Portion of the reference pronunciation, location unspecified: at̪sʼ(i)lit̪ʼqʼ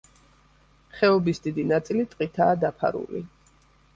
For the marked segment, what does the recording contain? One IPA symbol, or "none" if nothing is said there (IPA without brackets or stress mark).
i